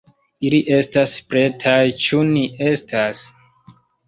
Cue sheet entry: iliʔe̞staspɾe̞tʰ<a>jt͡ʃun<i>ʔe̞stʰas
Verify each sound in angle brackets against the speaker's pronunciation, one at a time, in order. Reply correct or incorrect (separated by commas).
correct, correct